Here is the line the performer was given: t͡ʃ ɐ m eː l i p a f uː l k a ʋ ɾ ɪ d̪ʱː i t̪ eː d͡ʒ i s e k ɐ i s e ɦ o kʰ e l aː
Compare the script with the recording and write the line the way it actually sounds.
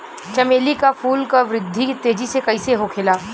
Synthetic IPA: t͡ʃ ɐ m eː l i k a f uː l k a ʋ ɾ ɪ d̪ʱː i t̪ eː d͡ʒ i s e k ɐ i s e ɦ o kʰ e l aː